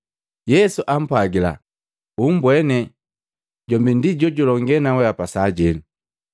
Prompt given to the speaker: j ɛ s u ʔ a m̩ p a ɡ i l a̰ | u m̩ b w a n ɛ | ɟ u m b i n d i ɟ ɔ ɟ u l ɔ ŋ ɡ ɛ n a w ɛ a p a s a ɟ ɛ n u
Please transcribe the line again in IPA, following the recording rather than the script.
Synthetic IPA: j ɛ s u ʔ a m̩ p a ɡ i l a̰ | u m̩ b w ɛ n ɛ | ɟ ɔ m b i n d i ɟ ɔ ɟ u l ɔ ŋ ɡ ɛ n a w ɛ a p a s a ɟ ɛ n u